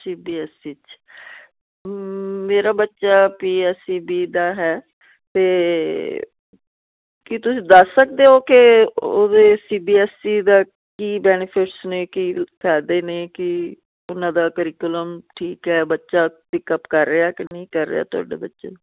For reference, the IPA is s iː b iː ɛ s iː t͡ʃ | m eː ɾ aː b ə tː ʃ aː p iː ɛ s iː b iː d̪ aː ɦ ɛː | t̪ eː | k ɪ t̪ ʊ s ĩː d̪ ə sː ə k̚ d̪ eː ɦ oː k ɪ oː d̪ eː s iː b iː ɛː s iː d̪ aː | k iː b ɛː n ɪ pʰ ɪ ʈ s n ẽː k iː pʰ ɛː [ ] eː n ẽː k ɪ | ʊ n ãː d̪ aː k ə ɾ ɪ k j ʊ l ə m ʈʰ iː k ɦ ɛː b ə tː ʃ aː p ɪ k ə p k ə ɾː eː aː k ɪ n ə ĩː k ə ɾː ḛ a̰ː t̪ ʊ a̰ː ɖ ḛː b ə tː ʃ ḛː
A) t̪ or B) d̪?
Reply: B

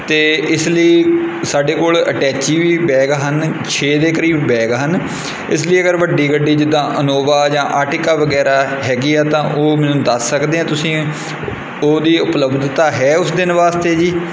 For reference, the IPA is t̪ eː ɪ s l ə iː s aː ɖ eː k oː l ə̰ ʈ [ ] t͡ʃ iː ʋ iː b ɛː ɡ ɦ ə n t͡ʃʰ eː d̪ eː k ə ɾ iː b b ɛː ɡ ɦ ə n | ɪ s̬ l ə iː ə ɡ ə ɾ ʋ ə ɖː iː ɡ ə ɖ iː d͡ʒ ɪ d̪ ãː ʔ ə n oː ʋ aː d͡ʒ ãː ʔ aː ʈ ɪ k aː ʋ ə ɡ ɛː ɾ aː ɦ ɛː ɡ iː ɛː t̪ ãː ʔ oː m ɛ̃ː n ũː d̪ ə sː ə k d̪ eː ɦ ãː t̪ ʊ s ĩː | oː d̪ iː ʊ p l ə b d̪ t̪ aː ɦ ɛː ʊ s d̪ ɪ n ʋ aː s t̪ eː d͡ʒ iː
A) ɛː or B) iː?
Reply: A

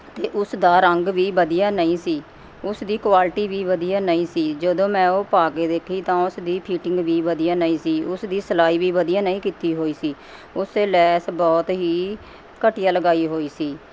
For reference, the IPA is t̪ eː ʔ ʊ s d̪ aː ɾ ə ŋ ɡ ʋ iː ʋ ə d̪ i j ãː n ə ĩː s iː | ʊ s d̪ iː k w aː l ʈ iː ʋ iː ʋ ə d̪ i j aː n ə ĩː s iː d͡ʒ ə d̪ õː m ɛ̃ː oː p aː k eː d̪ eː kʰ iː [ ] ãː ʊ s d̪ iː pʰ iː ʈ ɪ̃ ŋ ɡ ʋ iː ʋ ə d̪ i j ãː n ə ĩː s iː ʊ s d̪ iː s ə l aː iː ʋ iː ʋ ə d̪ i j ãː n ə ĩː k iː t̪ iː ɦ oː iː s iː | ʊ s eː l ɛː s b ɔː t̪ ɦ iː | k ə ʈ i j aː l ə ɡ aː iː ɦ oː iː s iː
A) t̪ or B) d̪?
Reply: A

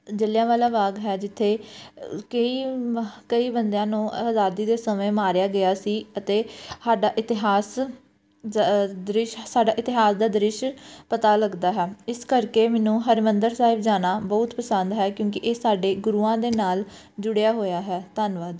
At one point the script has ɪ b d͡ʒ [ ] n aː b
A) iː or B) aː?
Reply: B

